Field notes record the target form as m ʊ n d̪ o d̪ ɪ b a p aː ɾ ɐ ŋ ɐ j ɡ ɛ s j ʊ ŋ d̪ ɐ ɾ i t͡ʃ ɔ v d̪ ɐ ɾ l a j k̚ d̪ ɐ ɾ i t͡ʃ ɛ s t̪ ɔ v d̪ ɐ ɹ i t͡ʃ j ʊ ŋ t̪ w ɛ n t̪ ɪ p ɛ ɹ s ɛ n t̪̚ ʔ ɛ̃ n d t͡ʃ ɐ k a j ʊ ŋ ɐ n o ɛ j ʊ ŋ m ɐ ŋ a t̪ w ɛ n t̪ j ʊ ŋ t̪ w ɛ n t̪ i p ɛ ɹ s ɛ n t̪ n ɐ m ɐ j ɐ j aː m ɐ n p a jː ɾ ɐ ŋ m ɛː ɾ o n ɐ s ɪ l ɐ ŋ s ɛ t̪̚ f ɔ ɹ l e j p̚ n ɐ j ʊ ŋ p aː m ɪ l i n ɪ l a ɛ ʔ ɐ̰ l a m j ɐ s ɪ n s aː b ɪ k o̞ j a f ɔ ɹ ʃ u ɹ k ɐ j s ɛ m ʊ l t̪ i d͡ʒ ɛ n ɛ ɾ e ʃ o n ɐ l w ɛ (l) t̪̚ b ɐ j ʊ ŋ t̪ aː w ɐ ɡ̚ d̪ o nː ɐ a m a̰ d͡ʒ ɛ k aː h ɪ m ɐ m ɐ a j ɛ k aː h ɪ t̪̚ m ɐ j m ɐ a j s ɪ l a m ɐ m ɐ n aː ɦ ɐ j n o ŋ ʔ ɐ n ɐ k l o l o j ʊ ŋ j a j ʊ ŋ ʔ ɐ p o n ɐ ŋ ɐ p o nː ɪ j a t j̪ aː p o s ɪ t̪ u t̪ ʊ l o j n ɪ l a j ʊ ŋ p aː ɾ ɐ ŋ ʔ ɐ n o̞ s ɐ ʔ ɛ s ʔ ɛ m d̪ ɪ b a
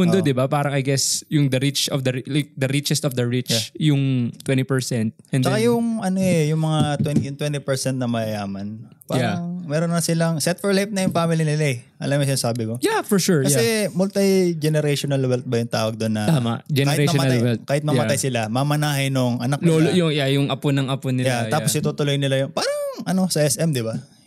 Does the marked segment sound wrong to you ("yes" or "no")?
no